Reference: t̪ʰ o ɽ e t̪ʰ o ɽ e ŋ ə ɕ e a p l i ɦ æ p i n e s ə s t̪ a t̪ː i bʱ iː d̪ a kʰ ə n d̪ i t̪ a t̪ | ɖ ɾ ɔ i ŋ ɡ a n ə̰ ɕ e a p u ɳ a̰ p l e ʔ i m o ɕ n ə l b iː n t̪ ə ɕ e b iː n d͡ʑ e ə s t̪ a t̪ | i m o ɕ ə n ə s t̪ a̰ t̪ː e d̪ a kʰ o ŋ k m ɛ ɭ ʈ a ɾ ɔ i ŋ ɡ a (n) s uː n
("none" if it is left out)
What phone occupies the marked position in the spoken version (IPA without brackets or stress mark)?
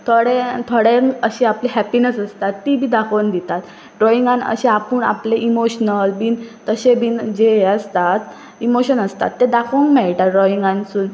n